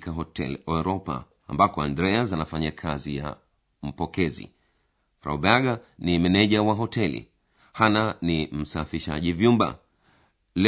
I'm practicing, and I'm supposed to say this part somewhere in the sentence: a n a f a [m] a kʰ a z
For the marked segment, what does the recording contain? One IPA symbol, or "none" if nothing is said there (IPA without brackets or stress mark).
ɲ